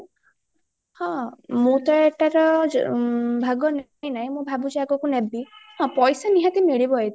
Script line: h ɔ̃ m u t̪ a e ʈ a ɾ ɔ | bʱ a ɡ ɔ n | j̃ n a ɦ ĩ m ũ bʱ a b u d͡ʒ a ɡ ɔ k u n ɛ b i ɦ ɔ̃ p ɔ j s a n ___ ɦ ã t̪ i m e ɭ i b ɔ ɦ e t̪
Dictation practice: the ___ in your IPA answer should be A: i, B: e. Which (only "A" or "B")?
A